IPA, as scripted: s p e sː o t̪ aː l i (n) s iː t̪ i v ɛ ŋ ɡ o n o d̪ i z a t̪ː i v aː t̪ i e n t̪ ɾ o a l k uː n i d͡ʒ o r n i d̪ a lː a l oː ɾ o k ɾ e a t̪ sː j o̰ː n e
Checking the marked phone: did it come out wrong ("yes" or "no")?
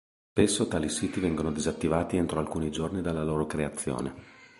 yes